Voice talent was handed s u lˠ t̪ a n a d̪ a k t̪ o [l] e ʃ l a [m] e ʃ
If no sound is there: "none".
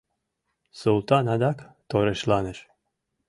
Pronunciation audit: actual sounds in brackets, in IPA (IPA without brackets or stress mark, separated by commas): ɾ, n